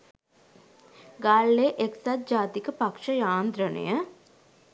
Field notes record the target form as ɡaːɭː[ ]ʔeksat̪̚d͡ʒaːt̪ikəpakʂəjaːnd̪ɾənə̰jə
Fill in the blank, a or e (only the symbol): e